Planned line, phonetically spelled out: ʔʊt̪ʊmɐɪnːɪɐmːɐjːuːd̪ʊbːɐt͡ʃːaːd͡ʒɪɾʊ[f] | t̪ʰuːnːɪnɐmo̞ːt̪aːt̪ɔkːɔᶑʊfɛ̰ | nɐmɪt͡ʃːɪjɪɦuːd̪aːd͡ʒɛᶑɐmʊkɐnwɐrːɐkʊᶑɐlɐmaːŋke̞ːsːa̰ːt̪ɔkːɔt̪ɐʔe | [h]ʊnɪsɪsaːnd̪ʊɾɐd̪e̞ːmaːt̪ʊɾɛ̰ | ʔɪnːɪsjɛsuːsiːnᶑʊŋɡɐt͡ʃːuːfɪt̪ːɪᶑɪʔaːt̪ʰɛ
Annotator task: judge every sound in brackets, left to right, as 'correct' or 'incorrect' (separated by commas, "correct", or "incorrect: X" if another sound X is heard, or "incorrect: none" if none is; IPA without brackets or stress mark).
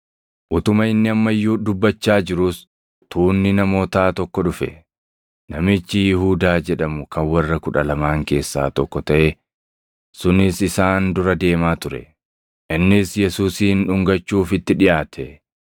incorrect: s, incorrect: s